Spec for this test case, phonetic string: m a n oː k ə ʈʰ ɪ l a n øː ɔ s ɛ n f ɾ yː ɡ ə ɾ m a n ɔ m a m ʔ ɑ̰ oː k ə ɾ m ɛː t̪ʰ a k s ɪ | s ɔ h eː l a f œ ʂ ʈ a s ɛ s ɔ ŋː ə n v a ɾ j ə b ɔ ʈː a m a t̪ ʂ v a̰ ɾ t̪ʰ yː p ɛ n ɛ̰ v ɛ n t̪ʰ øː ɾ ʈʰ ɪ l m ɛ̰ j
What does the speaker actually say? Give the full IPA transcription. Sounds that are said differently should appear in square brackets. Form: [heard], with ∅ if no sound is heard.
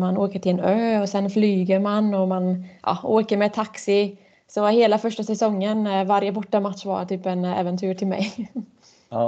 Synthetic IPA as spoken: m a n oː k ə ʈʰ ɪ l [ɛ] n øː ɔ s ɛ n f [l] yː ɡ ə ɾ m a n ɔ m a [n] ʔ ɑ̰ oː k ə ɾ m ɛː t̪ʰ a k s ɪ | s ɔ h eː l a f œ ʂ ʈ a s ɛ s ɔ ŋː ə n v a ɾ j ə b ɔ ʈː a m a t̪ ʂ v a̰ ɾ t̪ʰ yː p ɛ n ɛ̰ v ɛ n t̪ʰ [yː] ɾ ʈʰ ɪ l m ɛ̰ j